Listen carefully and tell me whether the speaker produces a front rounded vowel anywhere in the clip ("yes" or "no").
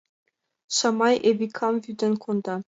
yes